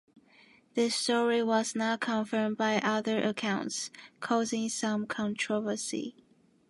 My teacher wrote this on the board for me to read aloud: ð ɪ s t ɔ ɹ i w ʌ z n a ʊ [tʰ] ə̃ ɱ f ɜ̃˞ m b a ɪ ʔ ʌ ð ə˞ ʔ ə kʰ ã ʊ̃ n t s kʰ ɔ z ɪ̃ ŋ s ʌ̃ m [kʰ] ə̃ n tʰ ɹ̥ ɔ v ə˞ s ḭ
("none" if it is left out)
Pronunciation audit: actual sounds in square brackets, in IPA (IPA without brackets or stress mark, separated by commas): kʰ, kʰ